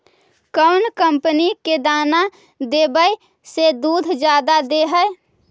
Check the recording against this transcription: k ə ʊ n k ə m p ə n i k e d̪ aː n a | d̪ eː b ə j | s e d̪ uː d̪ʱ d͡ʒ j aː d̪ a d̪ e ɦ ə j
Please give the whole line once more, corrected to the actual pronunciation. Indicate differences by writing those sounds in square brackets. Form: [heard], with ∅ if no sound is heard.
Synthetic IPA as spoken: k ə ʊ n k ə m p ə n i k e d̪ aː n a | d̪ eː b ə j | s e d̪ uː d̪ʱ d͡ʒ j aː d̪ a d̪ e ɦ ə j